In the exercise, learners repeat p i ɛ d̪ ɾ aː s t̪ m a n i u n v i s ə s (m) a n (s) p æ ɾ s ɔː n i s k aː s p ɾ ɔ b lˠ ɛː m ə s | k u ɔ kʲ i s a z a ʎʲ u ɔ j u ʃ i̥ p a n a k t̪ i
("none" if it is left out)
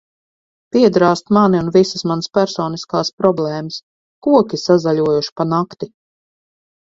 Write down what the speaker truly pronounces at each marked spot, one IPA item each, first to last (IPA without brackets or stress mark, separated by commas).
m, s